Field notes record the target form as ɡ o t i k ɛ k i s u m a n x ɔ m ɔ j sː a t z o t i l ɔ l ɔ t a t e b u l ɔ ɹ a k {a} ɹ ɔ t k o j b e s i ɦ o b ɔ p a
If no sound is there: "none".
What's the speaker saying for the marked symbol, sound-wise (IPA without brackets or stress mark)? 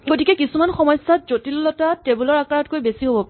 a